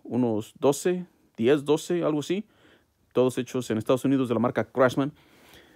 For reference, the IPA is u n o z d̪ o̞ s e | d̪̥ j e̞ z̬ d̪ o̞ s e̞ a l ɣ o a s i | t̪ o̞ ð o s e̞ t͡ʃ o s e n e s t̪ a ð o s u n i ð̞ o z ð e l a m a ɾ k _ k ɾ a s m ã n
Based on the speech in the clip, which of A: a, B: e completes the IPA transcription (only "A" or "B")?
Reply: A